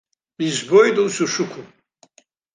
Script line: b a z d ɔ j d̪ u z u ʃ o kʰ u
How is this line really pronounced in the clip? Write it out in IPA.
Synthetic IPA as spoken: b i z b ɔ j d̪ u s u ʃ u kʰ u